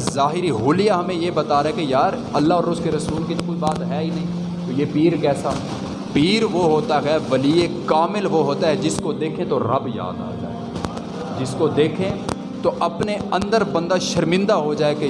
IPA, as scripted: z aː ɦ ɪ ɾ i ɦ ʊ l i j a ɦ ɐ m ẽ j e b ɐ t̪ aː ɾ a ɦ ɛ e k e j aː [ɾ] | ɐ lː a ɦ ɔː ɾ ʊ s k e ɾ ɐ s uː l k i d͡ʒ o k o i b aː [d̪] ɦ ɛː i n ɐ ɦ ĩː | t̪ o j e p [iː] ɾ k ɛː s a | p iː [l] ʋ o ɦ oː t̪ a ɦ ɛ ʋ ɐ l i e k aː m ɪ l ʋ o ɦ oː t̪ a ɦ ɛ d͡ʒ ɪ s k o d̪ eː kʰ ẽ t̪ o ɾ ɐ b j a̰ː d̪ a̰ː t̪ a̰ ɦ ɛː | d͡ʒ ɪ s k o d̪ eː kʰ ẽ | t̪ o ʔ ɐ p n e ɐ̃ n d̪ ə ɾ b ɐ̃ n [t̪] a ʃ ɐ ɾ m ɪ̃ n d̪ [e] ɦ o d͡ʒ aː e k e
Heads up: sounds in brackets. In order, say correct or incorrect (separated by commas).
correct, incorrect, correct, incorrect, incorrect, incorrect